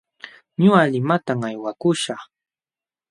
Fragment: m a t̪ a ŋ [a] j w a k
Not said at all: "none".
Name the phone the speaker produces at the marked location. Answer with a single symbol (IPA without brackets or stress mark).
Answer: a